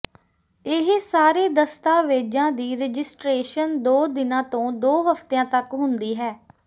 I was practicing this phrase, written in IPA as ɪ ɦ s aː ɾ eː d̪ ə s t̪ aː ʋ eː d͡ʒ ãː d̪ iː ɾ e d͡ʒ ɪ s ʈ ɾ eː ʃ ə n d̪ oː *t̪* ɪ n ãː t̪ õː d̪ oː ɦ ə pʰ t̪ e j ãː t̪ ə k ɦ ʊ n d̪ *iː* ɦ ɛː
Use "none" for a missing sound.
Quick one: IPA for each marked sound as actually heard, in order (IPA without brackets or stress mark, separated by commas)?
d̪, iː